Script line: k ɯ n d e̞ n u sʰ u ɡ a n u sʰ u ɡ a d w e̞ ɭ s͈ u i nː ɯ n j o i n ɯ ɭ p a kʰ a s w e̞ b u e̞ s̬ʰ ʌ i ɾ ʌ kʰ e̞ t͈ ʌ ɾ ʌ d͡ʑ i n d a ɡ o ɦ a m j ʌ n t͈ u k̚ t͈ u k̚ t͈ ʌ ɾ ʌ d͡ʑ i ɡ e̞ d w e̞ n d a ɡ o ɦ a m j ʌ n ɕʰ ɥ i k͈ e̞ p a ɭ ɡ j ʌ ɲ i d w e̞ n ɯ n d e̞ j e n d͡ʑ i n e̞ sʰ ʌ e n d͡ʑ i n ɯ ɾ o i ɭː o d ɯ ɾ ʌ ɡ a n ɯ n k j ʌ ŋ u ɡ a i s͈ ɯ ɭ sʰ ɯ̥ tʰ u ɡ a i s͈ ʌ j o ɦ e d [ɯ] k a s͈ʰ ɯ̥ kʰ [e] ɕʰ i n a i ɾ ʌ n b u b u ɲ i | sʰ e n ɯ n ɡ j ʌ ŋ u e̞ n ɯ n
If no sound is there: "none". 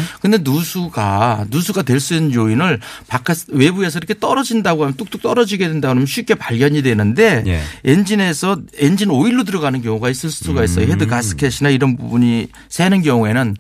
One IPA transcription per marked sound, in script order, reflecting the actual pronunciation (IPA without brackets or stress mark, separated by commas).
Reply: ɯ, e